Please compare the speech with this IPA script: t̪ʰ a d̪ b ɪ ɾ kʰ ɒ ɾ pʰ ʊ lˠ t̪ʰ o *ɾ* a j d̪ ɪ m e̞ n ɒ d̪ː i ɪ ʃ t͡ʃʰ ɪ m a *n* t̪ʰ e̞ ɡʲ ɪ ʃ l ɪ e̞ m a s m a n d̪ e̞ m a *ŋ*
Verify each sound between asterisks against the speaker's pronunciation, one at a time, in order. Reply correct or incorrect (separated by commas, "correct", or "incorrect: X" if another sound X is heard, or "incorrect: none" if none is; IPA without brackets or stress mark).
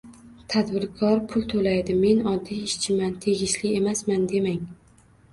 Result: incorrect: l, correct, correct